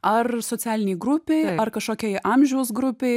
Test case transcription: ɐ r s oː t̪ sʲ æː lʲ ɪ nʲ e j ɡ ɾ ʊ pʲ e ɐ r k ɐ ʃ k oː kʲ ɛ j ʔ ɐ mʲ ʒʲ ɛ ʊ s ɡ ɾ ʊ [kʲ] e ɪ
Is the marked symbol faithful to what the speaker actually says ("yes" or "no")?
no